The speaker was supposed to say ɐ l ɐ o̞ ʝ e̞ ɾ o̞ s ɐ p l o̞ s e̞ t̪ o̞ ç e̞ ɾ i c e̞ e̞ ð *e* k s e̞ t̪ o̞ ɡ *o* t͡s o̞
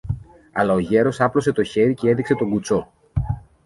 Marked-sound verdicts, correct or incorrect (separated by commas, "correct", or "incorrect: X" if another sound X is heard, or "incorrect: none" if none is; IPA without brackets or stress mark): incorrect: i, incorrect: u